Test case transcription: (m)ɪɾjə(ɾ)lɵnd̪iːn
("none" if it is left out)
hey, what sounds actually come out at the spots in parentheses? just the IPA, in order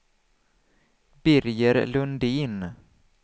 b, ɾ

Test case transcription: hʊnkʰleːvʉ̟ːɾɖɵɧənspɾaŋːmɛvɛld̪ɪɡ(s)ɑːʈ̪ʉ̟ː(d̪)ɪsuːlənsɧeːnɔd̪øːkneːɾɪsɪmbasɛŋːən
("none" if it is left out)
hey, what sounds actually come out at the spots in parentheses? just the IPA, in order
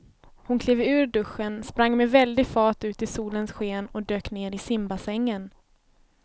f, t̪

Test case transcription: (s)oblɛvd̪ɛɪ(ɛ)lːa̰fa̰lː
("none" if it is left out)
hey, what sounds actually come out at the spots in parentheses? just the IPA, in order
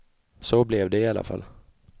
s, a

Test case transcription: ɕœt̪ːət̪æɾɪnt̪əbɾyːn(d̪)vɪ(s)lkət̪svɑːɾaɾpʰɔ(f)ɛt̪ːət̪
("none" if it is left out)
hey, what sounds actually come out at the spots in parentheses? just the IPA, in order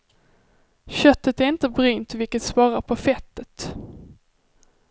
t̪, none, f

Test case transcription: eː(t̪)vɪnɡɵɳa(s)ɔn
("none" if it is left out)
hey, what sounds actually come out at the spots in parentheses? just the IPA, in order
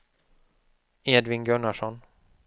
d̪, ʂ

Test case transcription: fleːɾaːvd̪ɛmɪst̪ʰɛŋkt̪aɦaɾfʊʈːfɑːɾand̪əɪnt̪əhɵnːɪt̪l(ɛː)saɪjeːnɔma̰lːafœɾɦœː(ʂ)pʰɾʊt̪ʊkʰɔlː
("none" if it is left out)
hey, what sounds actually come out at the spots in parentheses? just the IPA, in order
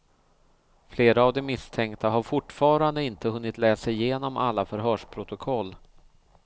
ɛː, ʂ

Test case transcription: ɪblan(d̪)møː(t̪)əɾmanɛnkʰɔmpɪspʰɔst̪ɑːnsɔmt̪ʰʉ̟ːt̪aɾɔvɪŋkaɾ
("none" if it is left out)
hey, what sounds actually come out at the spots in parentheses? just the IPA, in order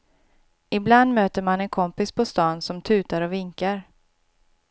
d̪, t̪

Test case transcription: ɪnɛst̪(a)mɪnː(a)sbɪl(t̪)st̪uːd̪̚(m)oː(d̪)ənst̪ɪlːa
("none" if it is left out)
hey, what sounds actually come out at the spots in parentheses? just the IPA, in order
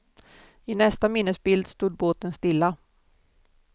a, ə, d̪, b, t̪

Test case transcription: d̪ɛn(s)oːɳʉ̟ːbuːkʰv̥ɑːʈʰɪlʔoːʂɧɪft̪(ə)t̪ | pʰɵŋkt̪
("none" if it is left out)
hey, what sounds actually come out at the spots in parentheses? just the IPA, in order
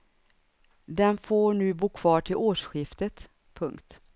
f, ə

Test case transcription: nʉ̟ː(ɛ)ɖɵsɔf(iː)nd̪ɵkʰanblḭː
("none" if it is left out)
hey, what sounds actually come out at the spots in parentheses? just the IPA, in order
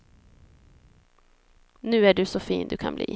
æ, iː

